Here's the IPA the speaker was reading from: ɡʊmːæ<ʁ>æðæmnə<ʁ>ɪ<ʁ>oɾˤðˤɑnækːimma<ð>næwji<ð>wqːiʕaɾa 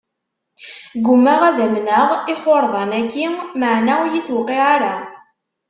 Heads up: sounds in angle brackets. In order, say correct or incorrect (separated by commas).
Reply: correct, correct, incorrect, incorrect, incorrect